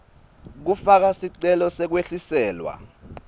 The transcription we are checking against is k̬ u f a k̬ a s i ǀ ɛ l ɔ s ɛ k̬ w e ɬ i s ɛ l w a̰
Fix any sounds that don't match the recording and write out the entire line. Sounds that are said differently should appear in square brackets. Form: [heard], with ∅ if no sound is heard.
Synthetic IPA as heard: k̬ u f a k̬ a s i ǀ ɛ l ɔ s ɛ k̬ w e ɬ i s [ɛː] l w a̰